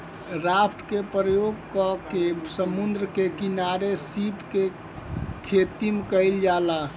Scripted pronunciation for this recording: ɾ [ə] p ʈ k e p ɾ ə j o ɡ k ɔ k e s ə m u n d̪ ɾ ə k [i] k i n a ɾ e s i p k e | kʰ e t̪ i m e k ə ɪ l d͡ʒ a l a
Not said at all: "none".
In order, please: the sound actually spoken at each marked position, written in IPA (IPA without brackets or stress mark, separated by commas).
a, e